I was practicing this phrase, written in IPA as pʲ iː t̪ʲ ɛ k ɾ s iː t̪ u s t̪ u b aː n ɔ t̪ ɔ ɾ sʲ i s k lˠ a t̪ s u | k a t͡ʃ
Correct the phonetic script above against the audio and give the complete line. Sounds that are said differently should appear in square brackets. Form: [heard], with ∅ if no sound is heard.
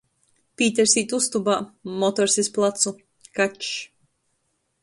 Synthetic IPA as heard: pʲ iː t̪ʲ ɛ [∅] ɾ s iː t̪ u s t̪ u b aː [m] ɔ t̪ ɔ ɾ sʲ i s [p] lˠ a t̪ s u | k a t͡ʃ